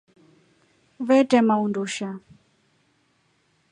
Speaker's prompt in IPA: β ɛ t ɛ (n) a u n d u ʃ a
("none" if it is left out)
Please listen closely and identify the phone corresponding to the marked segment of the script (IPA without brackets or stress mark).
m